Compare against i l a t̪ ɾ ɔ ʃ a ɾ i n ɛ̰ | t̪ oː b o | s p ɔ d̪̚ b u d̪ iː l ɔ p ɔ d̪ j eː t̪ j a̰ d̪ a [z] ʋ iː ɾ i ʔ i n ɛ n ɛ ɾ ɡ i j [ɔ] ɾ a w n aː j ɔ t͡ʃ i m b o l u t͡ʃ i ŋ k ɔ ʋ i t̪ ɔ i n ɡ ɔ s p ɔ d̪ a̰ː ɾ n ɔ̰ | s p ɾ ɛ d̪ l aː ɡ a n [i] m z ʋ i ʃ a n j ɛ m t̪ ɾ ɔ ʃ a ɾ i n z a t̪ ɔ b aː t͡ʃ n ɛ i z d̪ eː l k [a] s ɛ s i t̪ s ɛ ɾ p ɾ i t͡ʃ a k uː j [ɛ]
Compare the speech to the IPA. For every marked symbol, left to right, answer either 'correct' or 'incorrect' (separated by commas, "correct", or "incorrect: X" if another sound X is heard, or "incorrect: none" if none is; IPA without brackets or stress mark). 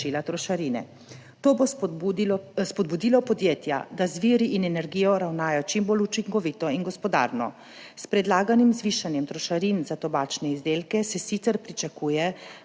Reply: correct, correct, correct, incorrect: ɛ, correct